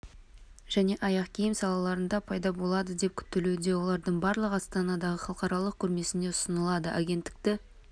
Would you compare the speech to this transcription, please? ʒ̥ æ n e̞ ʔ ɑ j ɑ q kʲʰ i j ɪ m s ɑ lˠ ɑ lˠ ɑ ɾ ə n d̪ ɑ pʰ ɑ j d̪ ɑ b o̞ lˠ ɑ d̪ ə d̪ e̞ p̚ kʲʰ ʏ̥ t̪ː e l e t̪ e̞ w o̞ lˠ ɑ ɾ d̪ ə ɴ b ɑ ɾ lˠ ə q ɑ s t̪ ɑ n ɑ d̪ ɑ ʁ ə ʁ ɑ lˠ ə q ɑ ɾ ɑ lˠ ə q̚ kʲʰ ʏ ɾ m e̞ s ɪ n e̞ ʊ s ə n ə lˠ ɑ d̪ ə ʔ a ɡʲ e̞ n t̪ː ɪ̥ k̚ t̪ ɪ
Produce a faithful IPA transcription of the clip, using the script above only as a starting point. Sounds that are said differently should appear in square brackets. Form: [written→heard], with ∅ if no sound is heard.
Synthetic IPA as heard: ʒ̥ æ n e̞ ʔ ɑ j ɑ q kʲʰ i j ɪ m s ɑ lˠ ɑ lˠ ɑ ɾ ə n d̪ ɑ pʰ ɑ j d̪ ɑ b o̞ lˠ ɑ d̪ ə d̪ e̞ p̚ kʲʰ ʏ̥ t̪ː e l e [t̪→d̪] e̞ w o̞ lˠ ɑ ɾ d̪ ə ɴ b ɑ ɾ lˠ ə q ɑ s t̪ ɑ n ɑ d̪ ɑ ʁ ə [ʁ→χ] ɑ lˠ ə q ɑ ɾ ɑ lˠ ə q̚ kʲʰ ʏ ɾ m e̞ s ɪ n e̞ ʊ s ə n ə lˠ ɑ d̪ ə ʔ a ɡʲ e̞ n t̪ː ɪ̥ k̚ t̪ ɪ

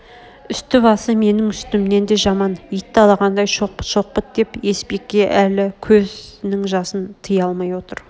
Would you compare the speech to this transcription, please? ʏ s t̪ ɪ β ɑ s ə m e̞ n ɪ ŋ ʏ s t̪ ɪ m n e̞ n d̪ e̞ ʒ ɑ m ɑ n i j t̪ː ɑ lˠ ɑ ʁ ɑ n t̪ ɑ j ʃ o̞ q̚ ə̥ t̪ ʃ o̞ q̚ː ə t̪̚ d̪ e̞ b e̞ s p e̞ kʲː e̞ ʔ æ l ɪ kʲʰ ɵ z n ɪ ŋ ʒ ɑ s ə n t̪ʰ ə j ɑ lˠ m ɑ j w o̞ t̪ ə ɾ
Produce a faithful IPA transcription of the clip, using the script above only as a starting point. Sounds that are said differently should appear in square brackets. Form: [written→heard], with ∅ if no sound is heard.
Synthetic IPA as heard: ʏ s t̪ ɪ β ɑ s ə m e̞ n ɪ ŋ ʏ s t̪ ɪ m n e̞ n d̪ e̞ ʒ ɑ m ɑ n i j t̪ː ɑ lˠ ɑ ʁ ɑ n [t̪→d̪] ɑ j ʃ o̞ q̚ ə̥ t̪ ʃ o̞ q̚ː ə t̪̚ d̪ e̞ [b→p] e̞ s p e̞ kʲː e̞ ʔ æ l ɪ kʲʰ ɵ z n ɪ ŋ ʒ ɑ s ə n t̪ʰ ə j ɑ lˠ m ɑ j w o̞ t̪ ə ɾ

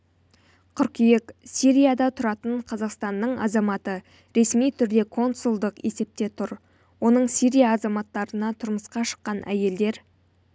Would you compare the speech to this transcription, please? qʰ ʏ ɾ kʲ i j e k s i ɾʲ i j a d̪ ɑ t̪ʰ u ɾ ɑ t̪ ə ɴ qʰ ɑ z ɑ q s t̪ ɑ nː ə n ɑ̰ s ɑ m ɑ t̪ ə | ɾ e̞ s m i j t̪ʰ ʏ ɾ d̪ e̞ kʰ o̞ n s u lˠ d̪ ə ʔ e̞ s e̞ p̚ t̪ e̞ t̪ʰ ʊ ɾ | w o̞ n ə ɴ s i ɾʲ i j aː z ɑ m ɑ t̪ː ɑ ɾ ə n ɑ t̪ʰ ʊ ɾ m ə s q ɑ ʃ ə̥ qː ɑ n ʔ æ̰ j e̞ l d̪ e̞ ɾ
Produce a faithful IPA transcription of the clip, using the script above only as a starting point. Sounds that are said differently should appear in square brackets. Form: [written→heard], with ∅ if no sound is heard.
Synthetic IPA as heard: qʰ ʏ ɾ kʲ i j e k s i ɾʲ i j a d̪ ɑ t̪ʰ [u→ʊ] ɾ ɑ t̪ ə ɴ qʰ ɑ z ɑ q s t̪ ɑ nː ə [n→ɴ] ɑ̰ [s→z] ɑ m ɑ t̪ ə | ɾ e̞ s m i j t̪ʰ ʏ ɾ d̪ e̞ kʰ o̞ n s u lˠ d̪ ə [ʔ→q] e̞ s e̞ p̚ t̪ e̞ t̪ʰ ʊ ɾ | w o̞ n ə ɴ s i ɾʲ i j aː z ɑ m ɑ t̪ː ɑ ɾ ə n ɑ t̪ʰ ʊ ɾ m ə s q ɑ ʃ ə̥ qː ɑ n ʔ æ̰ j e̞ l d̪ e̞ ɾ

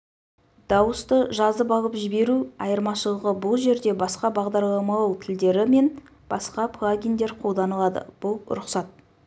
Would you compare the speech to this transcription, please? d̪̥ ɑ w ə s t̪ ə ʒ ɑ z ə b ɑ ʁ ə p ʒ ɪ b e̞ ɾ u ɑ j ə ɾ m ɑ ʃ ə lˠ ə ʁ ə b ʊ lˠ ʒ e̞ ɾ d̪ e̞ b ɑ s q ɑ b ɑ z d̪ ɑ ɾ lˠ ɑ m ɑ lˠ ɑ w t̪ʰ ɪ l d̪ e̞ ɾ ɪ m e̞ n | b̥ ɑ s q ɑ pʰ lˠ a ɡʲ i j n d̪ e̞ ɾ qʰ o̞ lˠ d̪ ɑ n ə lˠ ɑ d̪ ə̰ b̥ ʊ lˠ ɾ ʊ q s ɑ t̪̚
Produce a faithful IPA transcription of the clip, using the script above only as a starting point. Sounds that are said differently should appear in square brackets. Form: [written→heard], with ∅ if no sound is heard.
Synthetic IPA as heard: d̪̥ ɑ w ə s t̪ ə ʒ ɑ z ə b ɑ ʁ ə p ʒ ɪ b e̞ ɾ u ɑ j ə ɾ m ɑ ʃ ə lˠ ə ʁ ə b ʊ lˠ ʒ e̞ ɾ d̪ e̞ b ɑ s q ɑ b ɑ [z→ʁ] d̪ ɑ ɾ lˠ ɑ m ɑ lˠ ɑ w t̪ʰ ɪ l d̪ e̞ ɾ ɪ m e̞ n | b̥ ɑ s q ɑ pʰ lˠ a ɡʲ i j n d̪ e̞ ɾ qʰ o̞ lˠ d̪ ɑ n ə lˠ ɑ d̪ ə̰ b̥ ʊ lˠ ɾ ʊ q s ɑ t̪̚

